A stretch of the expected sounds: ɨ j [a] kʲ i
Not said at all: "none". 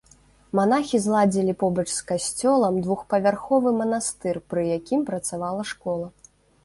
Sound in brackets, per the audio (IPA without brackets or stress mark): a